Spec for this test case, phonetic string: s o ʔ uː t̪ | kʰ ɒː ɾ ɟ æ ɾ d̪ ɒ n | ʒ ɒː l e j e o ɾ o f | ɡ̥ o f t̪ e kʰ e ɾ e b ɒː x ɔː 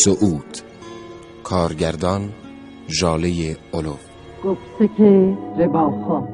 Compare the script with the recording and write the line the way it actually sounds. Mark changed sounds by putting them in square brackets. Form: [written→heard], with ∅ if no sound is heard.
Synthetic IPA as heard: s o ʔ uː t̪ | kʰ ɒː ɾ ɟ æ ɾ d̪ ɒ n | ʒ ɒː l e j e o [ɾ→l] o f | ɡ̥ o f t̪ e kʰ e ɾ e b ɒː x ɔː